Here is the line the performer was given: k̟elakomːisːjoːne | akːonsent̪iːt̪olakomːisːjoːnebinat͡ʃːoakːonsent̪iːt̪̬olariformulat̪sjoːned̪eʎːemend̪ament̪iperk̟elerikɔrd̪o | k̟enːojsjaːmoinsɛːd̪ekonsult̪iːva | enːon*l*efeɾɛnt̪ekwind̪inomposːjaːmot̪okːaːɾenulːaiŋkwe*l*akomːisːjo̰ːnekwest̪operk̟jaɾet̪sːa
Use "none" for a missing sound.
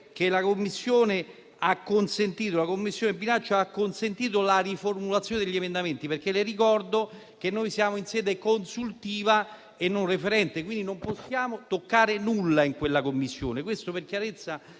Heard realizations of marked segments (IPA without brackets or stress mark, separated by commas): r, lː